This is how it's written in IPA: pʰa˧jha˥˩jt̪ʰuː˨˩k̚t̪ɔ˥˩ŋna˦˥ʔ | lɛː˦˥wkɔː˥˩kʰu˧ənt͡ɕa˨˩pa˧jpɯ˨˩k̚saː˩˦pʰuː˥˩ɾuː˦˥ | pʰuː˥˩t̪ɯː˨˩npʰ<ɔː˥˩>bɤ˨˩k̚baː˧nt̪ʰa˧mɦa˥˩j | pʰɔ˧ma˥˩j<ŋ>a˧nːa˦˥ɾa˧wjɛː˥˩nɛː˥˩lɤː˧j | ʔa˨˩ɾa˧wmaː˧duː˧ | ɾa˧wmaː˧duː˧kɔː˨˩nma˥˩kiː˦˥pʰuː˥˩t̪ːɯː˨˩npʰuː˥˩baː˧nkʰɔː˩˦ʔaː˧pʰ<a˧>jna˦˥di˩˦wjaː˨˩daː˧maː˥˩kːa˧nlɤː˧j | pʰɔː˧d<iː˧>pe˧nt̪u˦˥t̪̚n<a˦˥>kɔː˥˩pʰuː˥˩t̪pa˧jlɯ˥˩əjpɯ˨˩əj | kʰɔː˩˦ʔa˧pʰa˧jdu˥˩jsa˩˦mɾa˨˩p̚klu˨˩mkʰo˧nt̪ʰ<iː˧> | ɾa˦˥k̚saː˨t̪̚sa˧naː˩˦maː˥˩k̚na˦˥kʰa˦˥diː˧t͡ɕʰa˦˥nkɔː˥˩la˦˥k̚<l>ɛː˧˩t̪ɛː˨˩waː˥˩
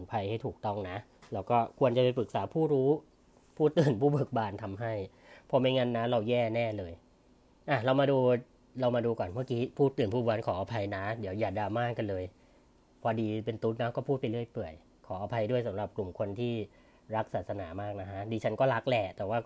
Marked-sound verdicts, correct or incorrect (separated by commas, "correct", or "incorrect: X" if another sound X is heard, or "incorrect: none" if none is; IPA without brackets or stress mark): incorrect: uː˥˩, correct, correct, correct, correct, incorrect: iː˥˩, correct